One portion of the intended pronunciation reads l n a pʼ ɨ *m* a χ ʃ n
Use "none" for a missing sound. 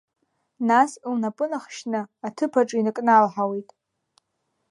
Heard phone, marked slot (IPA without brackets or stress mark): n